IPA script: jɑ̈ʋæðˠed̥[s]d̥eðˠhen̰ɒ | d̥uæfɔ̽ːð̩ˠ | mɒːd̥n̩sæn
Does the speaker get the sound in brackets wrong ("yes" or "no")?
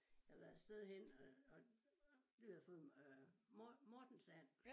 no